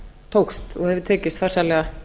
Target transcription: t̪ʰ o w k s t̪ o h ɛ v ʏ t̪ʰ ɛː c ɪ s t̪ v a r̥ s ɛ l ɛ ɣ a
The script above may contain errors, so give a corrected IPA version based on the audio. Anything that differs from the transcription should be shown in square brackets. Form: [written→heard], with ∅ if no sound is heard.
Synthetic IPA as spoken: t̪ʰ o w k s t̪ [o→ɔ] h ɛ v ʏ t̪ʰ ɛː c ɪ s t̪ [v→f] a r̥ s [ɛ→a] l ɛ ɣ a

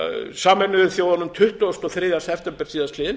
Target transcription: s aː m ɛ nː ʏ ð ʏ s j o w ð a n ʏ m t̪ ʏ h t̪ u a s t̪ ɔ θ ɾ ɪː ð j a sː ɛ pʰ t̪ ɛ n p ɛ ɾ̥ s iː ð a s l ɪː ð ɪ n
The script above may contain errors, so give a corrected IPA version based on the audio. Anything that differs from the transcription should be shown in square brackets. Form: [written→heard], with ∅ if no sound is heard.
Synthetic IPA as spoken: s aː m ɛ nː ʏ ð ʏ [s→θ] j o w ð a n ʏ m [t̪→t̪ʰ] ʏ h t̪ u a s t̪ ɔ θ ɾ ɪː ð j a [sː→s] ɛ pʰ t̪ ɛ [n→m] p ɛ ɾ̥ s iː ð a s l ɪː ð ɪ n

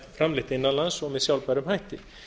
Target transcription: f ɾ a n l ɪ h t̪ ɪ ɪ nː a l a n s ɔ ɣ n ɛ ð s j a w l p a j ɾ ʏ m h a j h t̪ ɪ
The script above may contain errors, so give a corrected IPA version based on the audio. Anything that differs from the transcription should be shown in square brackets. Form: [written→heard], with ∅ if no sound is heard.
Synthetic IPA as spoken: f ɾ a [n→m] l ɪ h t̪ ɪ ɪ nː a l a n s ɔ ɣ [n→m] ɛ ð s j a w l p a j ɾ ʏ m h a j h t̪ ɪ

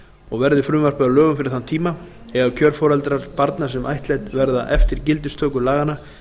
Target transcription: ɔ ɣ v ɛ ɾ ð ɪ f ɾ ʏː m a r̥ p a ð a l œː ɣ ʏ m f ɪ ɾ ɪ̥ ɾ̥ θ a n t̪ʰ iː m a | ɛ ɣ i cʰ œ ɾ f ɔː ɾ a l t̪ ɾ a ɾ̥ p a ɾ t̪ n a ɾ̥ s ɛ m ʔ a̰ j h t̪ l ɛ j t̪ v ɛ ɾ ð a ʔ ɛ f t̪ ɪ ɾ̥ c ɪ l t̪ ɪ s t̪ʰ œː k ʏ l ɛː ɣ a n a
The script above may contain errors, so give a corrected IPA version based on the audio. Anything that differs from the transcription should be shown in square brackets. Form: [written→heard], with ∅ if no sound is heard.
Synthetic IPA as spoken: ɔ ɣ v ɛ ɾ ð ɪ f ɾ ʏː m a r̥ p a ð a l œː ɣ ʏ m f ɪ ɾ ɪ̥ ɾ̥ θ a n t̪ʰ iː m a | ɛ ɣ [i→a] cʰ œ ɾ f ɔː ɾ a l t̪ ɾ a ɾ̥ p a ɾ t̪ n a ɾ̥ s ɛ m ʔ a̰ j h t̪ l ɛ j t̪ v ɛ ɾ ð a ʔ ɛ f t̪ ɪ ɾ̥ c ɪ l t̪ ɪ s t̪ʰ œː k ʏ l [ɛː→aː] ɣ a n a

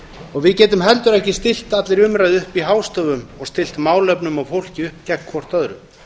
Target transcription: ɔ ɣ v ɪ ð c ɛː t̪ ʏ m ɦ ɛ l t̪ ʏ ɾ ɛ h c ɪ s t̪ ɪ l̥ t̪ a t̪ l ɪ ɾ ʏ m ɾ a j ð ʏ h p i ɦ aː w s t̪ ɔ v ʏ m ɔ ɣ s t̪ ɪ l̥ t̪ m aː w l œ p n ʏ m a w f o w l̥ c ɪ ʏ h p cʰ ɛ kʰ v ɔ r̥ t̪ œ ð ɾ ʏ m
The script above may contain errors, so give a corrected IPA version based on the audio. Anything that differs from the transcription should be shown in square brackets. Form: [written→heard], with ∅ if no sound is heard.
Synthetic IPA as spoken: ɔ ɣ v ɪ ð c ɛː t̪ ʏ m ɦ ɛ l t̪ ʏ ɾ ɛ h c ɪ s t̪ ɪ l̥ t̪ a t̪ l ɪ ɾ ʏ m ɾ a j ð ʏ h p i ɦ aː w s t̪ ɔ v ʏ m ɔ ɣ s t̪ ɪ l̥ t̪ m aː w l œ p n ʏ m a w f o w l̥ c ɪ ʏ h p [cʰ→c] ɛ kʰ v ɔ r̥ t̪ œ ð ɾ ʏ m

